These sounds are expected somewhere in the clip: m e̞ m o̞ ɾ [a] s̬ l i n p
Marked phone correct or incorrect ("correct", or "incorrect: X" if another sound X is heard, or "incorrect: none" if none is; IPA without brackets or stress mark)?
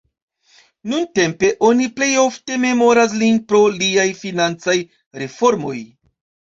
correct